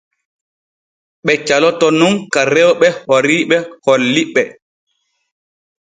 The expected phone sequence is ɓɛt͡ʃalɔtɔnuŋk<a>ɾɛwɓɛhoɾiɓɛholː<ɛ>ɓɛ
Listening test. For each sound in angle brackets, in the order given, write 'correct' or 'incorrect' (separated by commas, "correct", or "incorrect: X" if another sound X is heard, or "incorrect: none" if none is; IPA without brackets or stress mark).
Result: correct, incorrect: i